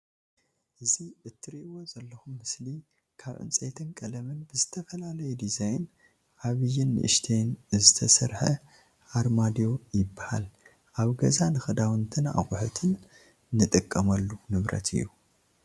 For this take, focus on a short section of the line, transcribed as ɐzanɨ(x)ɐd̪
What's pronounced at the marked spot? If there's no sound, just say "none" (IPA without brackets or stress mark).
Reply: x